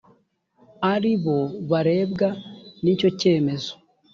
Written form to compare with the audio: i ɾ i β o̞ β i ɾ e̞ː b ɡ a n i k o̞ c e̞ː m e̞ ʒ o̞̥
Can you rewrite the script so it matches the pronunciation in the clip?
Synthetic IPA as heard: a ɾ i β o̞ β a ɾ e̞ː b ɡ a n i c o̞ c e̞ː m e̞ z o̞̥